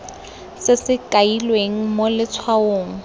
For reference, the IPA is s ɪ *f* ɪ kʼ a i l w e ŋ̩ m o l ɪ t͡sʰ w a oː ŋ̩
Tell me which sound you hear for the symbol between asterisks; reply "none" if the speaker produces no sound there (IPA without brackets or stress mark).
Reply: s